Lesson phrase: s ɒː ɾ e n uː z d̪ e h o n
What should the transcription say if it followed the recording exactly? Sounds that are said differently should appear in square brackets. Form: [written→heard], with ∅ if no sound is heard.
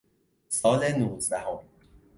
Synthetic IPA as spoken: s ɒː [ɾ→l] e n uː z d̪ [e→æ] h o [n→m]